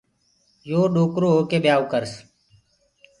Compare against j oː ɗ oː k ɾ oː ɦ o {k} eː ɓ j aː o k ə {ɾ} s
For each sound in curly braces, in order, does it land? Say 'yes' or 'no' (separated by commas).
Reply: yes, yes